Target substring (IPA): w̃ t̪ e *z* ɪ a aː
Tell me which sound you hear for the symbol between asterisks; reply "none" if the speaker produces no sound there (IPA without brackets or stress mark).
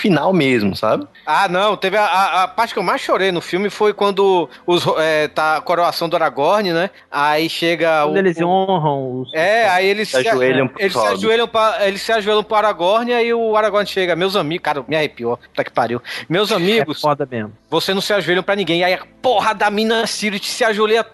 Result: v